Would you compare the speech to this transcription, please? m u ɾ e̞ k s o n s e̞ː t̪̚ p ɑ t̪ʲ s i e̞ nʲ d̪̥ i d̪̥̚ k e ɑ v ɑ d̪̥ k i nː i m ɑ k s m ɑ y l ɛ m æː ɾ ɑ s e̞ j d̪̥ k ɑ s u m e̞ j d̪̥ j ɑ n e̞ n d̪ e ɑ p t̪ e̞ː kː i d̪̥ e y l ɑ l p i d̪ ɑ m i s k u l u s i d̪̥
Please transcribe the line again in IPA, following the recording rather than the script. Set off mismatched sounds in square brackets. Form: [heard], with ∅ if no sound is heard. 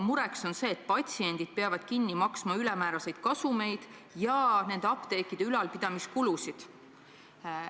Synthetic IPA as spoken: m u ɾ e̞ k s o n s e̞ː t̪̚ p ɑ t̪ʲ s i e̞ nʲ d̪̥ i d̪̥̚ [p] e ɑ v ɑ d̪̥ k i nː i m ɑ k s m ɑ y l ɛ m æː ɾ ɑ s e̞ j d̪̥ k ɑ s u m e̞ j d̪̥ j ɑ n e̞ n d̪ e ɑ p t̪ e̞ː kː i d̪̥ e y l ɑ l p i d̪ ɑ m i s k u l u s i d̪̥